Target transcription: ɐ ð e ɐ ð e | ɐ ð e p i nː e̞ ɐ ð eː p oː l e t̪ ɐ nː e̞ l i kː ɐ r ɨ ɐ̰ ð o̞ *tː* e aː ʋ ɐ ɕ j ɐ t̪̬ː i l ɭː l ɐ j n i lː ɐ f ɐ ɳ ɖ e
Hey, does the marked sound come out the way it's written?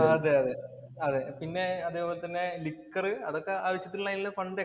no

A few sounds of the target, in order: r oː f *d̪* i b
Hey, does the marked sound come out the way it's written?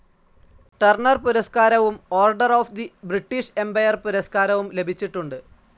yes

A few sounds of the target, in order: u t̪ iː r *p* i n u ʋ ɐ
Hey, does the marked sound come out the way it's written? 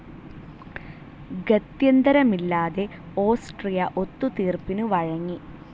yes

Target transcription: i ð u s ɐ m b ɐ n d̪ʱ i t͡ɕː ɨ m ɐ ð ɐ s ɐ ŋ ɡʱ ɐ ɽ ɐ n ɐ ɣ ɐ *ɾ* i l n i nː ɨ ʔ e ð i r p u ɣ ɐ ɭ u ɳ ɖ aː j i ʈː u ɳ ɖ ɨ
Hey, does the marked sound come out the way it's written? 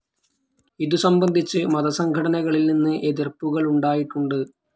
no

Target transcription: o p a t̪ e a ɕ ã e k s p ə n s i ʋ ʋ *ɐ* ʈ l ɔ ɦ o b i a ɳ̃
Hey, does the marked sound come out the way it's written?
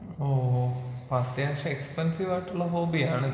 no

